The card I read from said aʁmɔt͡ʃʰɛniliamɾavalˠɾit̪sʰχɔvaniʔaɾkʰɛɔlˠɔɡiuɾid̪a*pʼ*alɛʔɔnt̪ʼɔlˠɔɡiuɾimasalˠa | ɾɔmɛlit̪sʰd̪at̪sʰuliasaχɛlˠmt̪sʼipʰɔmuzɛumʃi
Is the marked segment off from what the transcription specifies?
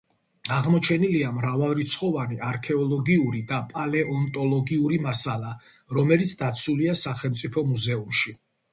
no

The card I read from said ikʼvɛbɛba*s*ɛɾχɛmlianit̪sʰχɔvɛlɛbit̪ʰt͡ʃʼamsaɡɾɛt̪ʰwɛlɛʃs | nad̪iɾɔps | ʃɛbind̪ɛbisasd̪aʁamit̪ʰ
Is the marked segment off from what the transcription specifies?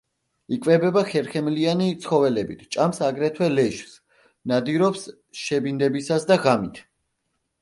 yes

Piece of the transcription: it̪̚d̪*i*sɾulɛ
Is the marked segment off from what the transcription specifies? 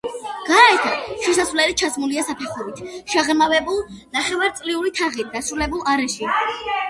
yes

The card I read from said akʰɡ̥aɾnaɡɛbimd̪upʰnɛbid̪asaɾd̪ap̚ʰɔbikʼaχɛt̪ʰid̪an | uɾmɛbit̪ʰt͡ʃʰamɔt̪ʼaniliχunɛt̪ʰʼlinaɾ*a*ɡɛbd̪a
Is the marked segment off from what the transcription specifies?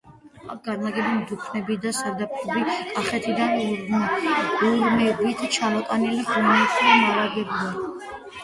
no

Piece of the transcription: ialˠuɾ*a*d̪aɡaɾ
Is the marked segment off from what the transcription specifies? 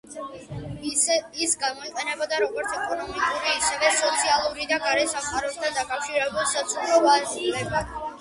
yes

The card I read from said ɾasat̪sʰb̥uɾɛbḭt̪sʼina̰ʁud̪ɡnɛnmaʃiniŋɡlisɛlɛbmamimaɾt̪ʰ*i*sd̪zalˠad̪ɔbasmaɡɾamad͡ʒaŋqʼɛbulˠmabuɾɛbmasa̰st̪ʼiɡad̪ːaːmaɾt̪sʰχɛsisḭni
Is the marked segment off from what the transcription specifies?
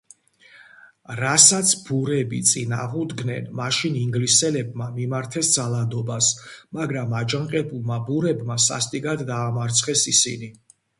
yes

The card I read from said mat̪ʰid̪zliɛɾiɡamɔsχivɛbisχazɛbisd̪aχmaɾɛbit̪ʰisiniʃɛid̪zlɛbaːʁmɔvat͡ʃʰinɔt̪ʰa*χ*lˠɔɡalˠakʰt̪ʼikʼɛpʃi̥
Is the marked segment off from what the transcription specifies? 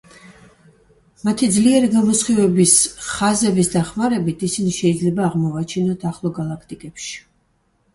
no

